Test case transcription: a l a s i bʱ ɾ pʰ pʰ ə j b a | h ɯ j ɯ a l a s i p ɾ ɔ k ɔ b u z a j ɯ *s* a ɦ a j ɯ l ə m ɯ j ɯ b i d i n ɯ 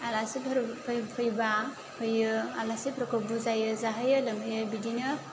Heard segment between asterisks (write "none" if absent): z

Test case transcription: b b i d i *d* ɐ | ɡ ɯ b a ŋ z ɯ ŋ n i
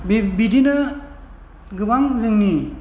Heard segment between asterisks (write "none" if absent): n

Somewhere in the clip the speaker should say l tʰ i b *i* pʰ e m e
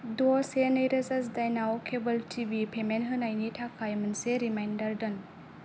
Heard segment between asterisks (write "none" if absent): i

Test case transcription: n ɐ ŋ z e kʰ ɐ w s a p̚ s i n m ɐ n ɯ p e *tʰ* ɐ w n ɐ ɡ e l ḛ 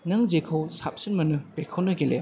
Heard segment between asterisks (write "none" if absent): kʰ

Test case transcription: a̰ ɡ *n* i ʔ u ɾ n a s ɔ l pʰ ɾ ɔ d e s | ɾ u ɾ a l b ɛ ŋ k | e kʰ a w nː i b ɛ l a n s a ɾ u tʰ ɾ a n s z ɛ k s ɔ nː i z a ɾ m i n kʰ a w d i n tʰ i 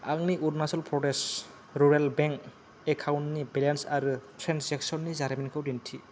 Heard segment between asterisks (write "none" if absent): n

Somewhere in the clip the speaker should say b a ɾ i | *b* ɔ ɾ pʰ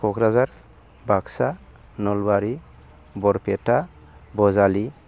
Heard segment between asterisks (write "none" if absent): b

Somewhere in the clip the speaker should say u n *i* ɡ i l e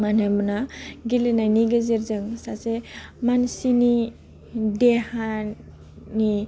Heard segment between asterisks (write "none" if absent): a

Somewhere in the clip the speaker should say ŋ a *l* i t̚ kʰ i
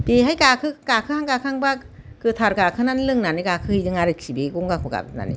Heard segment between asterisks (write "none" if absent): ɾ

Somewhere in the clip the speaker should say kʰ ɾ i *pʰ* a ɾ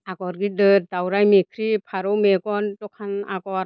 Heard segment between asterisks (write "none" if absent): pʰ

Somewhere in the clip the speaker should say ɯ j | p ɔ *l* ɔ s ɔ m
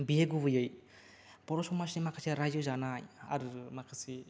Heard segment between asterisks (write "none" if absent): ɾ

